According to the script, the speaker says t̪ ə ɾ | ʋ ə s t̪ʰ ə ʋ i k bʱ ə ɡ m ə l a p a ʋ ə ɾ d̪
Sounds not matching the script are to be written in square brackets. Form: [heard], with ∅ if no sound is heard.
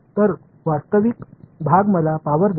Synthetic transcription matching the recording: t̪ ə ɾ | ʋ [a] s [t̪] ə ʋ i k bʱ [a] ɡ m ə l a p a ʋ ə ɾ d̪